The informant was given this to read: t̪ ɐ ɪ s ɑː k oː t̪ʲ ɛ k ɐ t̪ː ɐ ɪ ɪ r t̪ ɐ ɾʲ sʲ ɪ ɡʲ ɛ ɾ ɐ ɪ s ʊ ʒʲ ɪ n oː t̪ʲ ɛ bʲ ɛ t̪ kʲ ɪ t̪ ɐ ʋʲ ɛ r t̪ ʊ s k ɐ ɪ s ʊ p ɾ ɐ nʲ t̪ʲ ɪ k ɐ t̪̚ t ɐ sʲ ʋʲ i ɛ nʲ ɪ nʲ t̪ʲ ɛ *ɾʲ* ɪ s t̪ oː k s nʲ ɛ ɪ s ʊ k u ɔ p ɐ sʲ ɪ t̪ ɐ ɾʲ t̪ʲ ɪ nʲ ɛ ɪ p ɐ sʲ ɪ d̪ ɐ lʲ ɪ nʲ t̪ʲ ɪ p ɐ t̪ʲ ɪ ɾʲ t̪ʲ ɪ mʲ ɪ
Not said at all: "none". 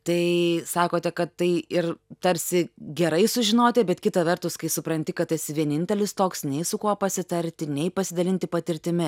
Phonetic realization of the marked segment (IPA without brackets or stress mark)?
lʲ